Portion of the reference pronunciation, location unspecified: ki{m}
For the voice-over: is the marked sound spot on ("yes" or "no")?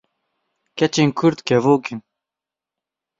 no